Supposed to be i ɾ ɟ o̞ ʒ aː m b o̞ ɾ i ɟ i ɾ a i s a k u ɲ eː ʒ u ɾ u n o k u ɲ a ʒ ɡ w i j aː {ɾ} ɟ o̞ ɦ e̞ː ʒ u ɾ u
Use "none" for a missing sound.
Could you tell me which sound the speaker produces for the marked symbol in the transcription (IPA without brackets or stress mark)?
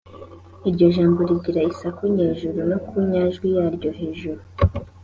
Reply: ɾ